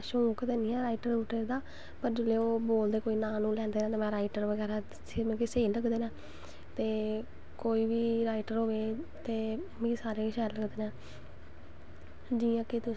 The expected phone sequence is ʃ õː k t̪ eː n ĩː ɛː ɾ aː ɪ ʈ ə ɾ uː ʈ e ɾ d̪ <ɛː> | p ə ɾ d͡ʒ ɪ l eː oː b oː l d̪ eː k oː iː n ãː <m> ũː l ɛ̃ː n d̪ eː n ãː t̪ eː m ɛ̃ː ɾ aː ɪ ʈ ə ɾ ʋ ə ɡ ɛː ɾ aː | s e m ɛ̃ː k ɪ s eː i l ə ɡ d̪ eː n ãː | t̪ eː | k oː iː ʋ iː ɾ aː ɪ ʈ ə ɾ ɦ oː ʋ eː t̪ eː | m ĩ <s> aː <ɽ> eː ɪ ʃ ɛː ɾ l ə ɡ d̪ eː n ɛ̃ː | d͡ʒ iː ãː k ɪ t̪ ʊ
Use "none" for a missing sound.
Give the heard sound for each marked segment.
aː, n, s, ɾ

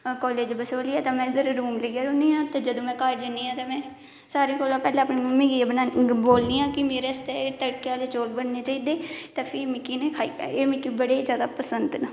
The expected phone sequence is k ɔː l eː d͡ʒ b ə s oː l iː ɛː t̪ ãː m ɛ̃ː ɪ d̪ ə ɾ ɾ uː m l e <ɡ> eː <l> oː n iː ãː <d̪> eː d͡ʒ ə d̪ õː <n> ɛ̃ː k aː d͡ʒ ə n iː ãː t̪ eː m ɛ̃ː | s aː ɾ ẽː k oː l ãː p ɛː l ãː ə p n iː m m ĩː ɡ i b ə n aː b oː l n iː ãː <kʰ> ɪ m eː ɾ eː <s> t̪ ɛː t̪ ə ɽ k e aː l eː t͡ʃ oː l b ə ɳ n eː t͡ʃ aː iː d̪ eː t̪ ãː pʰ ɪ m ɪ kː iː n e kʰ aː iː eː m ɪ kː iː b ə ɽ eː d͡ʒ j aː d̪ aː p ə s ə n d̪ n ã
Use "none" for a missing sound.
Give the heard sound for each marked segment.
ɡ, ɾ, t̪, m, k, s

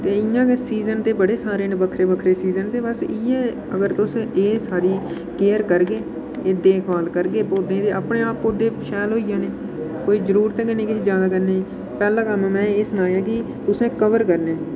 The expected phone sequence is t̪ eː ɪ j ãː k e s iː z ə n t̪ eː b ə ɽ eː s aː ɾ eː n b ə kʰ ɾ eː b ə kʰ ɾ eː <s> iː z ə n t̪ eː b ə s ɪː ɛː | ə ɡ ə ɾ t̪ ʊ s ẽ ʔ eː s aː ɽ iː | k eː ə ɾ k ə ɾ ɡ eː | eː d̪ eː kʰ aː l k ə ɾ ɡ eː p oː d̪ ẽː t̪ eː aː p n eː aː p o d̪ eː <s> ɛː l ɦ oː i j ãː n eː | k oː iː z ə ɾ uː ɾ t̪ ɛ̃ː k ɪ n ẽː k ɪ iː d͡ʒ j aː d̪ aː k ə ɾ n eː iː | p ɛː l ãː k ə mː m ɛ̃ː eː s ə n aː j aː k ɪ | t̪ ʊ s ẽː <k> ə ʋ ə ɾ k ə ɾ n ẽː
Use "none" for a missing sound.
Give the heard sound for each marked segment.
s, ʃ, k

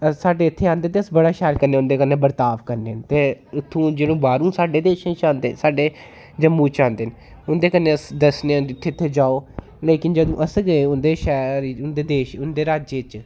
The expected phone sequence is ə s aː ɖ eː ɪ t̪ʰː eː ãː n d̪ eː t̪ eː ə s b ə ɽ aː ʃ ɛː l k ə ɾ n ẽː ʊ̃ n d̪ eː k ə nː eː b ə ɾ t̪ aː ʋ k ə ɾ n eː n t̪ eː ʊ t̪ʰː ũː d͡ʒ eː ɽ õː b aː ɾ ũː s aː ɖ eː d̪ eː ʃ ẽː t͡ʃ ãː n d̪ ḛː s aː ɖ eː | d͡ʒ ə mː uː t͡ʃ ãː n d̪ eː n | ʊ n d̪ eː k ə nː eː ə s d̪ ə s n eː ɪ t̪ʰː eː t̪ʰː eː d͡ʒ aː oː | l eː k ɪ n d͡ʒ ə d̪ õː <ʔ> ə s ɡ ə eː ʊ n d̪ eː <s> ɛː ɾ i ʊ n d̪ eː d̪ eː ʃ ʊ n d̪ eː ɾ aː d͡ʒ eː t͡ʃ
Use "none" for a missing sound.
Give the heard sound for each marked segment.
ʔ, ʃ

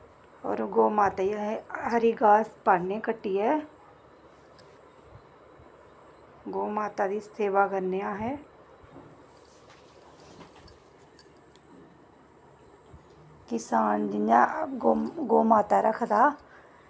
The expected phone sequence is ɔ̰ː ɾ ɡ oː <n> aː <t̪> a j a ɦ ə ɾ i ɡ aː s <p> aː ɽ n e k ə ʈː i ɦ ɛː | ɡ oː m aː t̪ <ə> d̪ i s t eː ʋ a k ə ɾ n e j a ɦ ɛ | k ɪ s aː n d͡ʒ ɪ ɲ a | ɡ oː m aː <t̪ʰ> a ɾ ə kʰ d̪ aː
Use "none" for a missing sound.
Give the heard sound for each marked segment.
m, t̪, p, a, t̪

